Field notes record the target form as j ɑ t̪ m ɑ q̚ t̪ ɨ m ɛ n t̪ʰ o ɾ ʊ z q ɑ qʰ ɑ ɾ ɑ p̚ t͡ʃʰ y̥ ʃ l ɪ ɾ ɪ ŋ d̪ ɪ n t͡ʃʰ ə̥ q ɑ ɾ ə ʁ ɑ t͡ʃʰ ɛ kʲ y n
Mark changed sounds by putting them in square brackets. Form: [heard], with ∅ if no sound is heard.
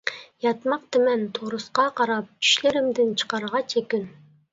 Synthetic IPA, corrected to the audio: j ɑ t̪ m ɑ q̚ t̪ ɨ m ɛ n t̪ʰ o ɾ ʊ [s] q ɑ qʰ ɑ ɾ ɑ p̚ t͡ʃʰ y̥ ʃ l ɪ ɾ ɪ [m] d̪ ɪ n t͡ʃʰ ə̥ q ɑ ɾ ə ʁ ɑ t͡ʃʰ [e] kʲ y n